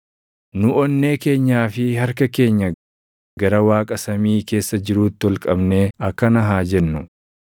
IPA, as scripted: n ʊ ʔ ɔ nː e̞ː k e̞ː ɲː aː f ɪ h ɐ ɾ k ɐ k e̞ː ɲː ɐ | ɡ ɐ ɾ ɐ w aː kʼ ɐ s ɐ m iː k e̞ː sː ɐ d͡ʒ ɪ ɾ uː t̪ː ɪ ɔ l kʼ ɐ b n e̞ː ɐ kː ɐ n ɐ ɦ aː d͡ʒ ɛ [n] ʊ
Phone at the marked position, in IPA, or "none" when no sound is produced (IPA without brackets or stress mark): nː